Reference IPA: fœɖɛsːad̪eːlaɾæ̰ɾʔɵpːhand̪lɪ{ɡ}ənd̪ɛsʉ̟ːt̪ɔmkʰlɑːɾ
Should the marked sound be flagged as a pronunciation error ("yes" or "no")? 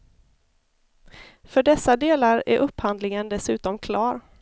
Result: yes